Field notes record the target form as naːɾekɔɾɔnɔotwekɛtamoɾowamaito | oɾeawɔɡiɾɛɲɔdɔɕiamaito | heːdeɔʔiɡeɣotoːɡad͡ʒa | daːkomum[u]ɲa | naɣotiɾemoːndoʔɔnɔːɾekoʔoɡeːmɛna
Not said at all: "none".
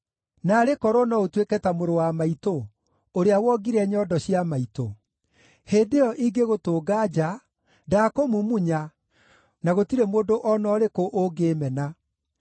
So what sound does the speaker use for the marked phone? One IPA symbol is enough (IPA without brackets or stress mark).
u